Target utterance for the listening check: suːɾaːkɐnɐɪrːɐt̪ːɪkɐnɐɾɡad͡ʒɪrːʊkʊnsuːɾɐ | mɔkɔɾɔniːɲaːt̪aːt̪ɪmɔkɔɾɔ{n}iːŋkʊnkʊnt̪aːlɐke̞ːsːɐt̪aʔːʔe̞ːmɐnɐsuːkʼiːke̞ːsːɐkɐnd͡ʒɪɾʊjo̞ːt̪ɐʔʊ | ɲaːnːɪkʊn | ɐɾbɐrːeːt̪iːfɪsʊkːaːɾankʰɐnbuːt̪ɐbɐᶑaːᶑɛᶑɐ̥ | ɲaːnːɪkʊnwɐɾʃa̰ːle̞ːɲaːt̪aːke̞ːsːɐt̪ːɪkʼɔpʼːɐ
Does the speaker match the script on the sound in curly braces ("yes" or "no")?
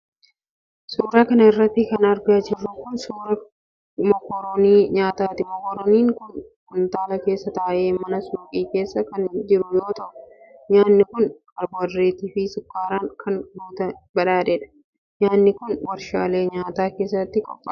yes